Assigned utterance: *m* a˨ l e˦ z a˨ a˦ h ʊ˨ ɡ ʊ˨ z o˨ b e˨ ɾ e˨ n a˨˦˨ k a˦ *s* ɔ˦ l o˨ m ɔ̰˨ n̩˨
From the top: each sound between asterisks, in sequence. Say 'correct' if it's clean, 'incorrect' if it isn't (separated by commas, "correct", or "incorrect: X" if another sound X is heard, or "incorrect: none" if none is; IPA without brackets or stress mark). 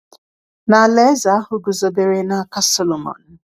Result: incorrect: n, correct